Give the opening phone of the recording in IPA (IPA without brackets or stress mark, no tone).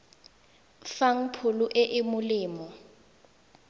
f